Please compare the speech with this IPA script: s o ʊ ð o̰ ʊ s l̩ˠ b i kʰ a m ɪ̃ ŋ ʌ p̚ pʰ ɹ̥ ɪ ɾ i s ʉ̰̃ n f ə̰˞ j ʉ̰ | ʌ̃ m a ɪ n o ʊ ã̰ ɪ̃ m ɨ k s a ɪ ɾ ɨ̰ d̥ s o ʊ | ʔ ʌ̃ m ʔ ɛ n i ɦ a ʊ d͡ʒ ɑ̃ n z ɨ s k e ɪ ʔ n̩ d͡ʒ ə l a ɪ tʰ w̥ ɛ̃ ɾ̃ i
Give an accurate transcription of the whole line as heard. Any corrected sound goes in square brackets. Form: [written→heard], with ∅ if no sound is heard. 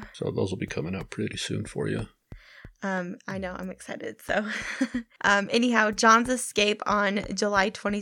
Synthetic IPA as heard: s o ʊ ð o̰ ʊ [s→z] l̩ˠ b i kʰ [a→ʌ] m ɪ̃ ŋ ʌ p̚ pʰ ɹ̥ ɪ ɾ i s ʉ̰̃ n f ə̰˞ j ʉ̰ | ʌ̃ m a ɪ n o ʊ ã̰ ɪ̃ m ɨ k s a ɪ ɾ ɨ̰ d̥ s o ʊ | ʔ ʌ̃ m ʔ ɛ n i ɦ a ʊ d͡ʒ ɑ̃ n z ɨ s k e ɪ [ʔ→p] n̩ d͡ʒ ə l a ɪ tʰ w̥ ɛ̃ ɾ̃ i